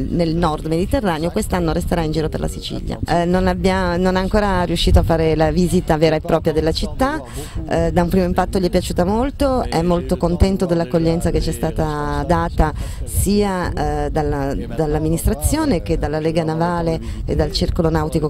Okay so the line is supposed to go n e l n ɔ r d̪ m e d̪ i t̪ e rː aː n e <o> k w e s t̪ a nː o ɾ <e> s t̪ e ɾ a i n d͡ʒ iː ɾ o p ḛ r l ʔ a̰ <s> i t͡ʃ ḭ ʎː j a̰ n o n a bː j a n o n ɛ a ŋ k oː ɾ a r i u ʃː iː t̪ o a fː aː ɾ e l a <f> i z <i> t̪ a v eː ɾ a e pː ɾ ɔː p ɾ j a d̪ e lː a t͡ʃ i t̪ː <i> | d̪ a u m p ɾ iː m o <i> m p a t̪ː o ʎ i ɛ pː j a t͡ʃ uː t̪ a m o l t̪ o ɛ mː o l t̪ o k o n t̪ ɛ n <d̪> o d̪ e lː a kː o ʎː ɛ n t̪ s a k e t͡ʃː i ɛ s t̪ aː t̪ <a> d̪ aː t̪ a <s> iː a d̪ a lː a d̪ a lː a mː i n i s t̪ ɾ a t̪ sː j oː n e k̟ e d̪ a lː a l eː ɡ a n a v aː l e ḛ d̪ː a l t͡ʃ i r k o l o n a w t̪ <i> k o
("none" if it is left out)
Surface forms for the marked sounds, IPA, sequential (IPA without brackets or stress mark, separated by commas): o, e, s, v, i, a, i, t̪, a, s, i